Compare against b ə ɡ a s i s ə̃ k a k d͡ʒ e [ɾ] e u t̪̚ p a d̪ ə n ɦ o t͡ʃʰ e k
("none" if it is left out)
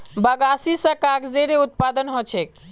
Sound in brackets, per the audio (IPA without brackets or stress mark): ɾ